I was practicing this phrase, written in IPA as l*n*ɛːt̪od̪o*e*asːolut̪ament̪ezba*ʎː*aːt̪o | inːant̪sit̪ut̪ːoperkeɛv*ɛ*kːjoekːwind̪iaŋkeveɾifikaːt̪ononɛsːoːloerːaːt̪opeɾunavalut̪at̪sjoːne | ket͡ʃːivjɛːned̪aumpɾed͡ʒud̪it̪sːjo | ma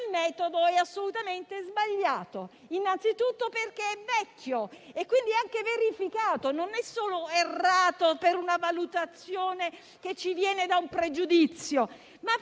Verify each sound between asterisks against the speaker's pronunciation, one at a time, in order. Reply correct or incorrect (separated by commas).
incorrect, incorrect, correct, correct